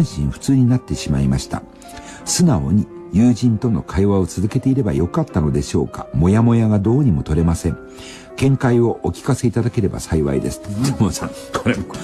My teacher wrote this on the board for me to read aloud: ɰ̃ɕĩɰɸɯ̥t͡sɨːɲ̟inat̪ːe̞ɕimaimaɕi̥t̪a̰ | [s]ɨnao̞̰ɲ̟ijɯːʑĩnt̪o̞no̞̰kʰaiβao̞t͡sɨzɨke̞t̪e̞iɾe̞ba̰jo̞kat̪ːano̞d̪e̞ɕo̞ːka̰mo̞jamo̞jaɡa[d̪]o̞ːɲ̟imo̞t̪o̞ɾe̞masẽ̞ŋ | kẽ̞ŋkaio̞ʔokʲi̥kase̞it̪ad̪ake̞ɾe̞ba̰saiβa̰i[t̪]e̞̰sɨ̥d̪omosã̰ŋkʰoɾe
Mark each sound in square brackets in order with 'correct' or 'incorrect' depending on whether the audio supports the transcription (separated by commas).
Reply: correct, correct, incorrect